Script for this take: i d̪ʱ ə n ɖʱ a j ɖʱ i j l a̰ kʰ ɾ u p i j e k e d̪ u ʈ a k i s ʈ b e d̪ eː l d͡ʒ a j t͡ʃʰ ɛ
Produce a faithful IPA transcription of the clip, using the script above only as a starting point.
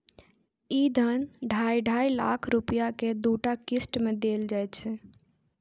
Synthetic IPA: i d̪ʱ ə n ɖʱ a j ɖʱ a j l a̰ kʰ ɾ u p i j a k e d̪ u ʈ a k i s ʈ m e d̪ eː l d͡ʒ a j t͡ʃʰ ɛ